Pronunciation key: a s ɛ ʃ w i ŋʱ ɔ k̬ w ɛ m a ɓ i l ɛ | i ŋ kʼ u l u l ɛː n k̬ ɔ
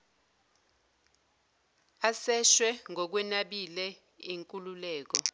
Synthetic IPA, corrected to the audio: a s ɛ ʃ w ɛ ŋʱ ɔ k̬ w ɛ n a ɓ i l ɛ | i ŋ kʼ u l u l ɛː k̬ ɔ